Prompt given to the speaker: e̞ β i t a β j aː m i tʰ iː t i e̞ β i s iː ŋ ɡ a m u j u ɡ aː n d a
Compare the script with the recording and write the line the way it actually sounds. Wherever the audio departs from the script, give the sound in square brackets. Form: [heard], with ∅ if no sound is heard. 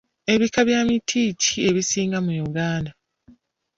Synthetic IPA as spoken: e̞ β i [k] a β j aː m i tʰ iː [c] i e̞ β i s iː ŋ ɡ a m u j u ɡ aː n d a